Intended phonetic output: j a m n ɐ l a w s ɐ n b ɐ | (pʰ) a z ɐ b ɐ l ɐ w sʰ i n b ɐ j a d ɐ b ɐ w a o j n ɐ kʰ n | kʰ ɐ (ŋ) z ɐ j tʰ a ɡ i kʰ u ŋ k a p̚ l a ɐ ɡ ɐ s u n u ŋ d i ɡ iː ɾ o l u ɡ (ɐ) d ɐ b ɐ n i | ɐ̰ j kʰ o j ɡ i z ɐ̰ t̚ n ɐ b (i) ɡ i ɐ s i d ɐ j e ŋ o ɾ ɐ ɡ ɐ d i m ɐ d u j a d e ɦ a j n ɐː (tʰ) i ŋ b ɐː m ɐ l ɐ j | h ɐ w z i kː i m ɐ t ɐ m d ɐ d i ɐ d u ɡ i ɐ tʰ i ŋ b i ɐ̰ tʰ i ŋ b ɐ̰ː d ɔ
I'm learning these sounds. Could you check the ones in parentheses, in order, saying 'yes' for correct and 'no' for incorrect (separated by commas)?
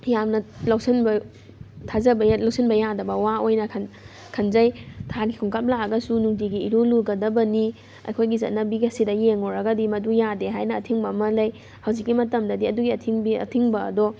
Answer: no, no, yes, yes, yes